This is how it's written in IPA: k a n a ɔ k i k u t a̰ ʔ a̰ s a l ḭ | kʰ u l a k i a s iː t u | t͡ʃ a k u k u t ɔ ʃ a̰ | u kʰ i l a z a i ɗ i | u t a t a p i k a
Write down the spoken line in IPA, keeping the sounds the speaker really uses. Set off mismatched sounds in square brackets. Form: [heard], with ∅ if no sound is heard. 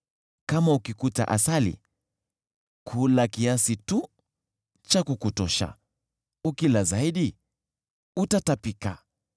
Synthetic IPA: k a [m] a [u] k i k u t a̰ ʔ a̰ s a l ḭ | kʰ u l a k i a s [i] t u | t͡ʃ a k u k u t ɔ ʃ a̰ | u [k] i l a z a i ɗ i | u t a t a p i k a